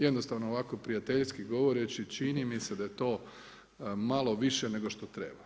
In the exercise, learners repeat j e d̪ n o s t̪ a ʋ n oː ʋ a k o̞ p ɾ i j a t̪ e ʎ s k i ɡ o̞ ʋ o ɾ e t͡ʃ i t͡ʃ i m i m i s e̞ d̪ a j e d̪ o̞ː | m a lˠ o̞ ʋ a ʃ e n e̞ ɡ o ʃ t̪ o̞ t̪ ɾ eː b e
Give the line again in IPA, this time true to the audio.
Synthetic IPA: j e d̪ n o s t̪ a ʋ n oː ʋ a k o̞ p ɾ i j a t̪ e ʎ s k i ɡ o̞ ʋ o ɾ e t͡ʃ i t͡ʃ i n i m i s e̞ d̪ a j e t̪ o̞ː | m a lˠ o̞ ʋ i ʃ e n e̞ ɡ o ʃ t̪ o̞ t̪ ɾ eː b a